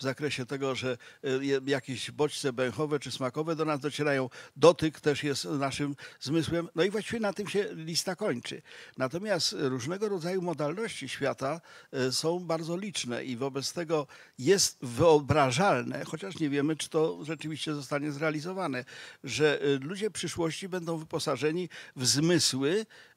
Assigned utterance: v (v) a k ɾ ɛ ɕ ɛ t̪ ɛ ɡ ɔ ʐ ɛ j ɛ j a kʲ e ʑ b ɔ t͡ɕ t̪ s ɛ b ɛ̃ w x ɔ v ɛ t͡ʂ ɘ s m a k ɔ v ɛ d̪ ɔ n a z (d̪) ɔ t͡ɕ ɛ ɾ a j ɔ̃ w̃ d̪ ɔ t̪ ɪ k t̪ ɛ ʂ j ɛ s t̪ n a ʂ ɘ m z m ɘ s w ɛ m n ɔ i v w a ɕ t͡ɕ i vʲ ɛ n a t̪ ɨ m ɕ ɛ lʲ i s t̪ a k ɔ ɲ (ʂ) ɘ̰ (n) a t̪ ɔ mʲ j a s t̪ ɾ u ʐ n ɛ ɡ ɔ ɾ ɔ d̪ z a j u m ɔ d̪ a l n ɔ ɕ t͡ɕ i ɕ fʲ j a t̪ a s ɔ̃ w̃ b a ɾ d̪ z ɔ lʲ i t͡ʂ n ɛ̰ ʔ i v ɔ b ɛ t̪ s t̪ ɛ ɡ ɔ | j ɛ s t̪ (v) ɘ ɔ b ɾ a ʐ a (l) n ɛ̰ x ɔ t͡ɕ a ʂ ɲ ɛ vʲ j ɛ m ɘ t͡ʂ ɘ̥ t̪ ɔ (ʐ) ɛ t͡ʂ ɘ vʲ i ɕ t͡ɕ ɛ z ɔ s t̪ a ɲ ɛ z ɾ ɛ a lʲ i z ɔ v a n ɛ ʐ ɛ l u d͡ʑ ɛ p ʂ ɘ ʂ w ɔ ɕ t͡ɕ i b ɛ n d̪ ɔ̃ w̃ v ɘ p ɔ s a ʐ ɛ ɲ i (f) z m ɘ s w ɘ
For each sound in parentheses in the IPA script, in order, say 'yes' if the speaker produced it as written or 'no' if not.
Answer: no, yes, no, yes, yes, yes, yes, no

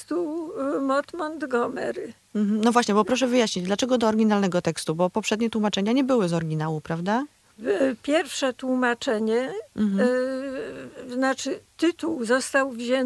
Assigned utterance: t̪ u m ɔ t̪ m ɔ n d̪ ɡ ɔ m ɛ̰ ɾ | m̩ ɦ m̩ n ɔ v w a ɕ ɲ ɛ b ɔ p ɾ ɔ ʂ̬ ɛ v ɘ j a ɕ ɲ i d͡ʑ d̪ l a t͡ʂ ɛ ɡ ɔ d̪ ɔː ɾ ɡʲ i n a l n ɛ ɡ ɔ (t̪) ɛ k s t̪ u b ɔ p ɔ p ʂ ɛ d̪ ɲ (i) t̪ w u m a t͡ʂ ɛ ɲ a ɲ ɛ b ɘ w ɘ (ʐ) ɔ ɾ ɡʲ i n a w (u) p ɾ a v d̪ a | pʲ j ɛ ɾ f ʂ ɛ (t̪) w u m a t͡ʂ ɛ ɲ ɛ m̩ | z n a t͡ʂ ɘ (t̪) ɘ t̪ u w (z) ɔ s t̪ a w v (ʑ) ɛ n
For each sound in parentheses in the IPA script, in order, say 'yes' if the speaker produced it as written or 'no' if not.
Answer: yes, no, no, yes, yes, yes, yes, yes

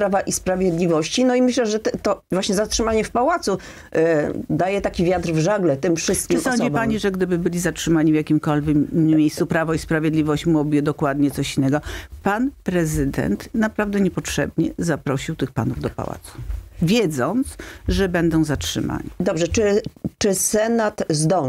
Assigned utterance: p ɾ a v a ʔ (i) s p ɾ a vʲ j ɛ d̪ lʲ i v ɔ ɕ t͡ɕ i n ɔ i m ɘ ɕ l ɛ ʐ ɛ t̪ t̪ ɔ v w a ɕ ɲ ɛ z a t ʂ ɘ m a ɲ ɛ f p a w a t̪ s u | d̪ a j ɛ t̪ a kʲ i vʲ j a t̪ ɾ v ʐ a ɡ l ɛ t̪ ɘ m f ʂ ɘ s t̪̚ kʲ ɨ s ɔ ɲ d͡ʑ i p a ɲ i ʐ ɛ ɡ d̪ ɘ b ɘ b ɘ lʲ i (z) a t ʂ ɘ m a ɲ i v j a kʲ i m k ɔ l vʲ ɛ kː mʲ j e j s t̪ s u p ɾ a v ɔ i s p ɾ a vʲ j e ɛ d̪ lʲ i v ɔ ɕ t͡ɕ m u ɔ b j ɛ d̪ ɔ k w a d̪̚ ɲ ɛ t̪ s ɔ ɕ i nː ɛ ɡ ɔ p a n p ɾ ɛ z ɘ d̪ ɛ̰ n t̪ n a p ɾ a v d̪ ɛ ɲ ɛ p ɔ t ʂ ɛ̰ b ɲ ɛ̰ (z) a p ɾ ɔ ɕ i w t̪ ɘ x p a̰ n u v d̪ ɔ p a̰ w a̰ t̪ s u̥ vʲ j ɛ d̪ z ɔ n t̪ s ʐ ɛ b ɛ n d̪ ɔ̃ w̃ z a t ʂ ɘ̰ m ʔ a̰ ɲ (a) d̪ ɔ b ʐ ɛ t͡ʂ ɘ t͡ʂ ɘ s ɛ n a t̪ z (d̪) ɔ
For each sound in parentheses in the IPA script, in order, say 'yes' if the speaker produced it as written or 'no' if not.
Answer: yes, yes, yes, no, yes

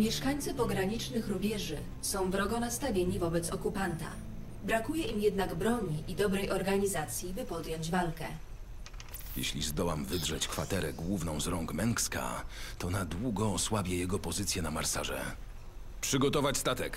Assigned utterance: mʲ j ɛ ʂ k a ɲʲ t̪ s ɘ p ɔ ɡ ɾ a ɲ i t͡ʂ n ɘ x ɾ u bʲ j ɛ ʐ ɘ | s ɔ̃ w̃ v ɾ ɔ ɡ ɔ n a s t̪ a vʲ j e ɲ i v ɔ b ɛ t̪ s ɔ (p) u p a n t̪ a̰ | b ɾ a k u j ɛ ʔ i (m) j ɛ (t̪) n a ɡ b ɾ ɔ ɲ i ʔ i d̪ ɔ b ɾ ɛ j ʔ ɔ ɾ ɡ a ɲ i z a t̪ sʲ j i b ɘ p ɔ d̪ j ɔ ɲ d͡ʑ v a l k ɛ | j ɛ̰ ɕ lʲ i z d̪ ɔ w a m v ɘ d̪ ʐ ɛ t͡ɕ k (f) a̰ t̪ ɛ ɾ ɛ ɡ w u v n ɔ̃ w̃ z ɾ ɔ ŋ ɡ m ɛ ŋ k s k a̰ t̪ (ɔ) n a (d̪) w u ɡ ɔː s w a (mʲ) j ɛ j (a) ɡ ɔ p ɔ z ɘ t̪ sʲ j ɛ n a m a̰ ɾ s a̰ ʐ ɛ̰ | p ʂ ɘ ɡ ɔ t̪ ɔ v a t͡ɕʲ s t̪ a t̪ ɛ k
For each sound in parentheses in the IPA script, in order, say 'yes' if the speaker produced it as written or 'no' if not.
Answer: no, yes, no, yes, yes, yes, no, no

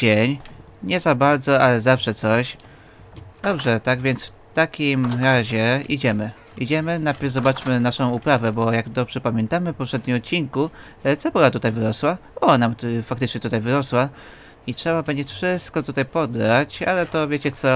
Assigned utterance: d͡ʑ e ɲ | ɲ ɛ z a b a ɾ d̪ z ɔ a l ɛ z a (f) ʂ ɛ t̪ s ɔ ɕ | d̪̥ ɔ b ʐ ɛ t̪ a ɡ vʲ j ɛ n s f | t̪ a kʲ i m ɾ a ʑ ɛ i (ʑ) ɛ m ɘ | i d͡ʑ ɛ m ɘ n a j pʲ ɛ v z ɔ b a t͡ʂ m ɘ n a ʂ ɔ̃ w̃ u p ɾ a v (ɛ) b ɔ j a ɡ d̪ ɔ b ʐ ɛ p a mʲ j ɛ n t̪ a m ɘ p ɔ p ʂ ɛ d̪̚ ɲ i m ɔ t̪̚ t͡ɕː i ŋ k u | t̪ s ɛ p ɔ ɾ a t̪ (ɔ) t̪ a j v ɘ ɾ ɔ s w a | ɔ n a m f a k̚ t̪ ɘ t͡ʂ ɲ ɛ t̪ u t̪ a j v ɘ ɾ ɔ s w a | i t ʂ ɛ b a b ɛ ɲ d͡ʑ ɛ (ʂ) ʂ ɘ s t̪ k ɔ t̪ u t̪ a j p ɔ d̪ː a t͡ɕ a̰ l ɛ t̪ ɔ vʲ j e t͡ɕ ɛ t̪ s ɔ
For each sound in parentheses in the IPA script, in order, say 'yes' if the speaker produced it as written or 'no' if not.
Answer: yes, no, yes, no, no

